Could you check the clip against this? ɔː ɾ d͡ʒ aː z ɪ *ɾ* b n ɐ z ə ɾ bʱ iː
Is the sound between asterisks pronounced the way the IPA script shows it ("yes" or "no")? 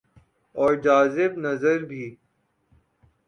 no